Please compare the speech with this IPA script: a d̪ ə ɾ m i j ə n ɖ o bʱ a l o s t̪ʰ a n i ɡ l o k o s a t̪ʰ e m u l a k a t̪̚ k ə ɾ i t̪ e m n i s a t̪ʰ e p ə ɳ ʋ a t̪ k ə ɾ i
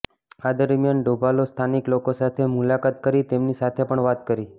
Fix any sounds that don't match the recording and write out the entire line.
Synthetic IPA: a d̪ ə ɾ m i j a n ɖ o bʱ a l o s t̪ʰ a n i k l o k o s a t̪ʰ e m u l a k a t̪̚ k ə ɾ i t̪ e m n i s a t̪ʰ e p ə ɳ ʋ a t̪ k ə ɾ i